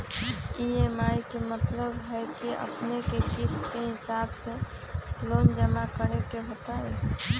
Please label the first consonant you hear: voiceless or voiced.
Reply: voiced